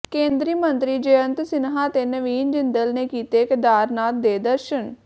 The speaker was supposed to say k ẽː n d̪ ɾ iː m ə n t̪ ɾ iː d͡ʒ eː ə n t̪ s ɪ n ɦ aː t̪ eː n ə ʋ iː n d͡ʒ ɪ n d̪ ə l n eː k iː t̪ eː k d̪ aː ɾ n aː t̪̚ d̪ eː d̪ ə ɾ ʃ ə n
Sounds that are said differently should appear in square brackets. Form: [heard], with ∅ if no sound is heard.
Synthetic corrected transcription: k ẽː n d̪ ɾ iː m ə n t̪ ɾ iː d͡ʒ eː ə n t̪ s ɪ n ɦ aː t̪ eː n ə ʋ iː n d͡ʒ ɪ n d̪ ə l n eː k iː t̪ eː k d̪ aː ɾ n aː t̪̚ d̪ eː d̪ ə ɾ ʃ ə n